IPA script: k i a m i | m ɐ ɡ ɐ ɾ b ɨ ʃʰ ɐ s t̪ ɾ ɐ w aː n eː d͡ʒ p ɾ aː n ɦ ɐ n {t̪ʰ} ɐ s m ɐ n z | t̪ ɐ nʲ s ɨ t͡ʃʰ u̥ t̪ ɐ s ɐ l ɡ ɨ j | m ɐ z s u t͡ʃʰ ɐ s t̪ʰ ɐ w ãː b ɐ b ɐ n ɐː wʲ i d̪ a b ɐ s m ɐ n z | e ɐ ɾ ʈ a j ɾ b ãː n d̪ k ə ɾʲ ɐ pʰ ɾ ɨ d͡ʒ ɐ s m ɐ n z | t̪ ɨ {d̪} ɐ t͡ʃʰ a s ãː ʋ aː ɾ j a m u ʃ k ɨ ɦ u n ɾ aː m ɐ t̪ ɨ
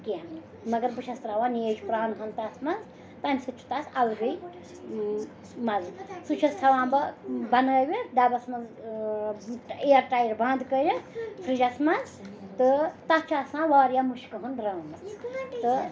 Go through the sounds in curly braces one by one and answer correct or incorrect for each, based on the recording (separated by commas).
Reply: incorrect, incorrect